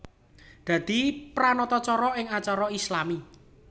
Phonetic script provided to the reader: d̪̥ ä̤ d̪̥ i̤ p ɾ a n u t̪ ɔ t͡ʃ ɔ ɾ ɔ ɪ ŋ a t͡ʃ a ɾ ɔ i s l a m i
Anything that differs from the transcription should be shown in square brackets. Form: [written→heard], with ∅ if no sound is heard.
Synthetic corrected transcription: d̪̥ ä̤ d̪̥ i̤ p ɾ a n [u→ɔ] t̪ ɔ t͡ʃ ɔ ɾ ɔ ɪ ŋ a t͡ʃ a ɾ ɔ i s l a m i